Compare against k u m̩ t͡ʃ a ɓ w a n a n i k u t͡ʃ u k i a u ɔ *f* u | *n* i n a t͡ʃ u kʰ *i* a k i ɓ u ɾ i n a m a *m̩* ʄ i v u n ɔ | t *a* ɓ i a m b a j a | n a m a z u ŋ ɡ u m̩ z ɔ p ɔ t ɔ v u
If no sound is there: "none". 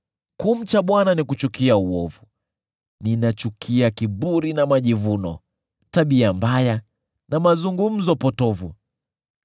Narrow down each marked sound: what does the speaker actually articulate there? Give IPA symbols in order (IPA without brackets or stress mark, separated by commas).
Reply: v, n, i, none, a